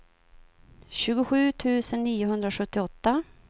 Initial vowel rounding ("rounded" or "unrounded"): rounded